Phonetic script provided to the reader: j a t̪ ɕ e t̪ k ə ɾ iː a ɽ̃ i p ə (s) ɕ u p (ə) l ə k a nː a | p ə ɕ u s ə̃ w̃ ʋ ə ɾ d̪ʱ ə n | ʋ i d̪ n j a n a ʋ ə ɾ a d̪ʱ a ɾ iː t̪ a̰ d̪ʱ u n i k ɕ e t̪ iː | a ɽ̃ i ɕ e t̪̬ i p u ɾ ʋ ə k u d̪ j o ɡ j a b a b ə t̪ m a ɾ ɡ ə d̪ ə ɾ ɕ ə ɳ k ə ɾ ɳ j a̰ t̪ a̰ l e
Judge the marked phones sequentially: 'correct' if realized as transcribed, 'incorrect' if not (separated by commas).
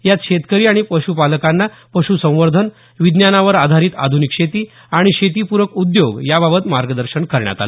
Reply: incorrect, incorrect